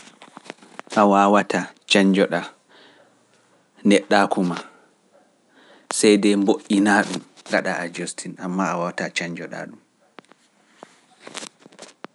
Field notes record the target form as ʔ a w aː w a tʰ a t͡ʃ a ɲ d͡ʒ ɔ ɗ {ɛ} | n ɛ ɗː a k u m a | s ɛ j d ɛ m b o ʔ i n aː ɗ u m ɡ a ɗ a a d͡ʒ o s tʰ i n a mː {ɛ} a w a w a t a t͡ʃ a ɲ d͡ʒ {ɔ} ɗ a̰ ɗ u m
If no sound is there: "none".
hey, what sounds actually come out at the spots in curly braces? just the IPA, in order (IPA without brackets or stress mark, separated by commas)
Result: a, a, ɔ